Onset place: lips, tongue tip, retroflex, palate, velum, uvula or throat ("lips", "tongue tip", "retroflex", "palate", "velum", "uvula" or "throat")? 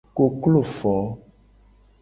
velum